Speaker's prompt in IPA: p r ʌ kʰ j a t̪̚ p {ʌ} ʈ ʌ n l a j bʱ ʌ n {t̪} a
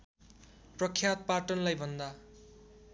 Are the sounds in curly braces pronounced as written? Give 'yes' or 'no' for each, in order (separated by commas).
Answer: no, no